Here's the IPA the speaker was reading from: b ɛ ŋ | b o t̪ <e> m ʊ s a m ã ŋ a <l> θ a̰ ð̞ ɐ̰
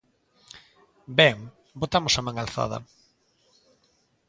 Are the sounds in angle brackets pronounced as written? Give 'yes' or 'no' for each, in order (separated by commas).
no, yes